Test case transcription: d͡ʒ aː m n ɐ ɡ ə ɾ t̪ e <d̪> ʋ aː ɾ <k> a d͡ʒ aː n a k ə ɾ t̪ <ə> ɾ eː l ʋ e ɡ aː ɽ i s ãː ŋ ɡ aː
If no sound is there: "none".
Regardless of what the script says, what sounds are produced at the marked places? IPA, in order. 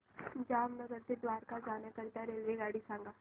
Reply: d̪, k, a

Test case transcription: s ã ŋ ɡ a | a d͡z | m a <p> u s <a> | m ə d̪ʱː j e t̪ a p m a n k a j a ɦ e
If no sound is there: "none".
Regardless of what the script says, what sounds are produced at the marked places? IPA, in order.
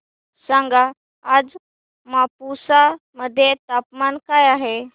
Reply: p, a

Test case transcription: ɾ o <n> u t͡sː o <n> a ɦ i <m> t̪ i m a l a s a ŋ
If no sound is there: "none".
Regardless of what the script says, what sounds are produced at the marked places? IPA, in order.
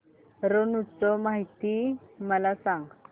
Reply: n, m, none

